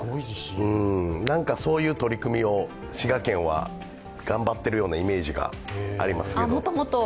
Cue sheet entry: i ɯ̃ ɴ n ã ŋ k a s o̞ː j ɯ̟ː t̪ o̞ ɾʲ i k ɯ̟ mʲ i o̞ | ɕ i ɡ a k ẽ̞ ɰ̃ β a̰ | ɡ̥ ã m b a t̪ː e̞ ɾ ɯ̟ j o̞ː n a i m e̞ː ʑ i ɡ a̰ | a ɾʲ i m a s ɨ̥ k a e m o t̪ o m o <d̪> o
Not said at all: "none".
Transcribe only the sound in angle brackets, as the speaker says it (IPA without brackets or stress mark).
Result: t̪